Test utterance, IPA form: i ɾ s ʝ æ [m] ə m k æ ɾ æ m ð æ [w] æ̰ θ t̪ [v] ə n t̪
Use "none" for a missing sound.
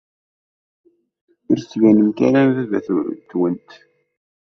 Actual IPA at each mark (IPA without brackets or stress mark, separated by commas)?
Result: n, v, w